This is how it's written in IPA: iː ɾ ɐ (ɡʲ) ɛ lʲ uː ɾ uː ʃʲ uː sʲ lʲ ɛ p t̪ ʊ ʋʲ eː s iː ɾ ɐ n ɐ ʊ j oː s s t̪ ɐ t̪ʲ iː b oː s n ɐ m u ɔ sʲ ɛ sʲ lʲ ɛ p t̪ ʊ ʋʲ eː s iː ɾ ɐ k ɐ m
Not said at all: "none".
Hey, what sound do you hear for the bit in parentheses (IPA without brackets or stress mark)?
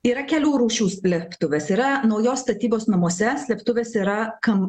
kʲ